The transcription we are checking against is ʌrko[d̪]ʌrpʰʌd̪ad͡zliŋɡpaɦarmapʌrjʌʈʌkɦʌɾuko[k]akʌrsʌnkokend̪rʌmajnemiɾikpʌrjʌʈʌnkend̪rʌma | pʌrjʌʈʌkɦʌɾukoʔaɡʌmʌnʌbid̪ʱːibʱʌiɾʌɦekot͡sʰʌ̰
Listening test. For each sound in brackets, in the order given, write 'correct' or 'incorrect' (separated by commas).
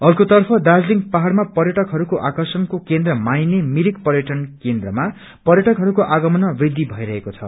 incorrect, incorrect